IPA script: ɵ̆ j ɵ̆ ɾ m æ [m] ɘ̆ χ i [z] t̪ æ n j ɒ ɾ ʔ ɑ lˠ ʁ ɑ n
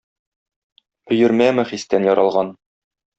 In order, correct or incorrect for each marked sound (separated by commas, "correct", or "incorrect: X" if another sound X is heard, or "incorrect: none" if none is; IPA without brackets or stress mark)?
correct, incorrect: s